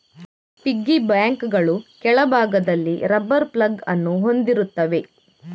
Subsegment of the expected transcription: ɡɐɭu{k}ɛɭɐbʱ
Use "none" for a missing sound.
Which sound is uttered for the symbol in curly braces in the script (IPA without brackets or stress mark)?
k